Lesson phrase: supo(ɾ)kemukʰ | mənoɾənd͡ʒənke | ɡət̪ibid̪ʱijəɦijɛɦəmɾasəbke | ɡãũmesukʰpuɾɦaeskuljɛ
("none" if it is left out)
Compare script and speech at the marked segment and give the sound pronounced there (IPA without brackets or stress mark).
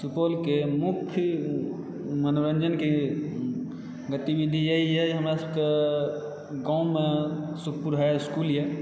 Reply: l